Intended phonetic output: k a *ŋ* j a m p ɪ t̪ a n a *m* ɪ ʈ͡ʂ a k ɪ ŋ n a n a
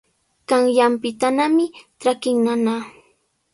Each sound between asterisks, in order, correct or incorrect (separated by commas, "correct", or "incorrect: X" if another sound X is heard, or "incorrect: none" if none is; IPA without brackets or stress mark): correct, correct